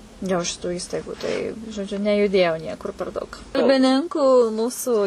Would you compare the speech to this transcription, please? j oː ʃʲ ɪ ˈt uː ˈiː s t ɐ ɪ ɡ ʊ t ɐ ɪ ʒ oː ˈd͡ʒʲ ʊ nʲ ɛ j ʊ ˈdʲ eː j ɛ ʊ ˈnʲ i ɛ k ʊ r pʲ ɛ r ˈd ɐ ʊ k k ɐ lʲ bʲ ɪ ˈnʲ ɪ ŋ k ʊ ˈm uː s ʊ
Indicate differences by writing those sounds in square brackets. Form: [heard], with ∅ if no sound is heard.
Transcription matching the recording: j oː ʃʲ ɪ ˈt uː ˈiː s t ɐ ɪ ɡ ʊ t ɐ ɪ ʒ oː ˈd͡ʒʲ ʊ nʲ ɛ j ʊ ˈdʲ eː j ɛ ʊ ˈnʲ i ɛ k ʊ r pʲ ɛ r ˈd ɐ ʊ k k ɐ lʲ bʲ ɪ ˈnʲ ɪ ŋ k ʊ ˈm uː s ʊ